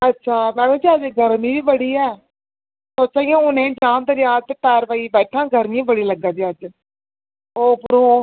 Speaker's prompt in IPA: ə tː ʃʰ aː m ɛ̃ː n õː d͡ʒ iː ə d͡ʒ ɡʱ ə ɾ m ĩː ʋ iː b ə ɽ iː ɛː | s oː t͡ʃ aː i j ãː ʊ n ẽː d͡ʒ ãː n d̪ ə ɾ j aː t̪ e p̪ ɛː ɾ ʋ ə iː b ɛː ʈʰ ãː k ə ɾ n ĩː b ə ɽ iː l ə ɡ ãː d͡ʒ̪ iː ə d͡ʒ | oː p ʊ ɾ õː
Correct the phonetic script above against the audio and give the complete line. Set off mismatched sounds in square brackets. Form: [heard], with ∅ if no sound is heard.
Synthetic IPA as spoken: ə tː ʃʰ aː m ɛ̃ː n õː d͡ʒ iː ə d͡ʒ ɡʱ ə ɾ m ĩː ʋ iː b ə ɽ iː ɛː | s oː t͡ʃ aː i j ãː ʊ n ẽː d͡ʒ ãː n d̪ ə ɾ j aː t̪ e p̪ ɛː ɾ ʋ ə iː b ɛː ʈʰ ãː [ɡ] ə ɾ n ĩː b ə ɽ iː l ə ɡ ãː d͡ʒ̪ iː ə d͡ʒ | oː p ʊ ɾ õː